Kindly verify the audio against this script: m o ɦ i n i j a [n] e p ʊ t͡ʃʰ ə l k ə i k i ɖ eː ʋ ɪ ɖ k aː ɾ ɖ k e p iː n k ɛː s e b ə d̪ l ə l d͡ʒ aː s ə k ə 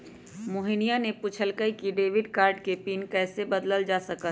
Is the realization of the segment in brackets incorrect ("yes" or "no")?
no